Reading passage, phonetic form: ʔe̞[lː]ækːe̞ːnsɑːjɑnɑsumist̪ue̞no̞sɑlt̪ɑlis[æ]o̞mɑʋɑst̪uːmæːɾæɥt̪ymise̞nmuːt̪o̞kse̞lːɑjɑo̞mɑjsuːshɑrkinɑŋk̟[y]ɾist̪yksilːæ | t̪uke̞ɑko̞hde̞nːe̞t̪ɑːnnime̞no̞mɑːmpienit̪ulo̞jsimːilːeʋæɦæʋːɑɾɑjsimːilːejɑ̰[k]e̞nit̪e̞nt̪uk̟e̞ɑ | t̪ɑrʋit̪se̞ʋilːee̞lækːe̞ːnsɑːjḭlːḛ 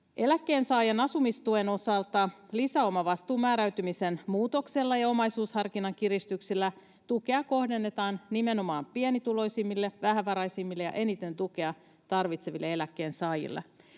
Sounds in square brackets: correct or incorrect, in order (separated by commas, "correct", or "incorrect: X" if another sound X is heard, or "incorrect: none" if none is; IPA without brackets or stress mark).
incorrect: l, correct, incorrect: i, incorrect: ʔ